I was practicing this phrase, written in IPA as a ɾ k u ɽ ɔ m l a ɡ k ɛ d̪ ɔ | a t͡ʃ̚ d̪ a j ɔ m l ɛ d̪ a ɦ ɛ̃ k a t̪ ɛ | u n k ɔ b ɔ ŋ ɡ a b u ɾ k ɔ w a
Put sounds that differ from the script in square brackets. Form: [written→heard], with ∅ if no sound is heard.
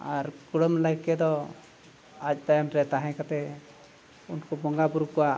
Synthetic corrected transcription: a ɾ k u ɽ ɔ m l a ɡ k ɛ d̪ ɔ | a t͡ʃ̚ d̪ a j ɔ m [l→ɾ] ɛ [d̪→t̪] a ɦ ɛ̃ k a t̪ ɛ | u n k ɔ b ɔ ŋ ɡ a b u ɾ k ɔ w a